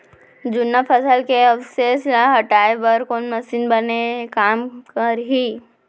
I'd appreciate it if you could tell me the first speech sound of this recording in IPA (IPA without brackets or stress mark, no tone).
d͡ʒ